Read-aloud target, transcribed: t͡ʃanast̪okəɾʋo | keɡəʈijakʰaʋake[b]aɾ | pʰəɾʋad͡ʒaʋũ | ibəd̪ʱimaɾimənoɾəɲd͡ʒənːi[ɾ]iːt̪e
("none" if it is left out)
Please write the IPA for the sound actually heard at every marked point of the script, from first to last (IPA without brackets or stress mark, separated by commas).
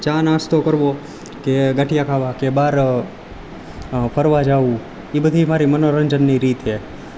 b, ɾ